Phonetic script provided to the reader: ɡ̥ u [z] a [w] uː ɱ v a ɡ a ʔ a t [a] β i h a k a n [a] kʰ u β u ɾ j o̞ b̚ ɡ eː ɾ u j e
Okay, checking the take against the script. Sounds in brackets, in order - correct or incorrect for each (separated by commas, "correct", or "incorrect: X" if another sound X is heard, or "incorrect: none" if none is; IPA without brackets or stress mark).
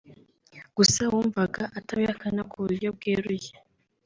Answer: incorrect: s, correct, correct, correct